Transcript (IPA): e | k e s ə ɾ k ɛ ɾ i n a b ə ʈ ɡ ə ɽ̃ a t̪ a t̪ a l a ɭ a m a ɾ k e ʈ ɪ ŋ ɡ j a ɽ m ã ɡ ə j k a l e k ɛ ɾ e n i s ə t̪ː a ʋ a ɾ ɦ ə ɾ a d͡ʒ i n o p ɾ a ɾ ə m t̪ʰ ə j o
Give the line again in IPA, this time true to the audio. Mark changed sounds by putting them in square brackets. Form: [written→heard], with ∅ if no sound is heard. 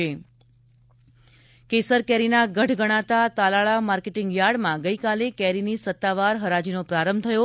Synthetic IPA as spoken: e | k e s ə ɾ k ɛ ɾ i n a [b→ɡ] ə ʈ ɡ ə ɽ̃ a t̪ a t̪ a l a ɭ a m a ɾ k e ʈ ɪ ŋ ɡ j a ɽ m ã ɡ ə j k a l e k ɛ ɾ [e→i] n i s ə t̪ː a ʋ a ɾ ɦ ə ɾ a d͡ʒ i n o p ɾ a ɾ ə m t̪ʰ ə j o